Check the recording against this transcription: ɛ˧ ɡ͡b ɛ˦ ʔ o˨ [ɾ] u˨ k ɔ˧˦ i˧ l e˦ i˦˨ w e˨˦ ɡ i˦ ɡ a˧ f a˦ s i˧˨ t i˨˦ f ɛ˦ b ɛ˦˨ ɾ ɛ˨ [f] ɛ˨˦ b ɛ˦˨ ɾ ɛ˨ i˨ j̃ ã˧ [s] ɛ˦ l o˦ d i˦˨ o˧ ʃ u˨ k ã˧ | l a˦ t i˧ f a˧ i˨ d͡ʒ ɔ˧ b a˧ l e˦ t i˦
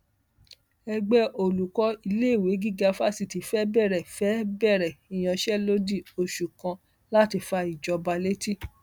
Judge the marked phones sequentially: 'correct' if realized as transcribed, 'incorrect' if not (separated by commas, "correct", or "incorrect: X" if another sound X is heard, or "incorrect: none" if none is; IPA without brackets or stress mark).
incorrect: l, correct, incorrect: ʃ